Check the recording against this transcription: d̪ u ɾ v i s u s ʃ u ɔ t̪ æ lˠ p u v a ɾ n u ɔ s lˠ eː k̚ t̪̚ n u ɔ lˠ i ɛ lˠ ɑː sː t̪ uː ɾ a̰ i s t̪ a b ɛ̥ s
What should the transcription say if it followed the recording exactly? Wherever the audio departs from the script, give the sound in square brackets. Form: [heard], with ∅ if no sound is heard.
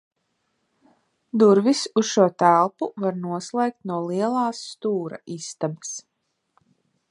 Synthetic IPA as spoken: d̪ u ɾ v i s u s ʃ u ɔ t̪ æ lˠ p u v a ɾ n u ɔ s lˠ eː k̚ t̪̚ n u ɔ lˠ i ɛ lˠ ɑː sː t̪ uː ɾ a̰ i s t̪ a b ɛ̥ s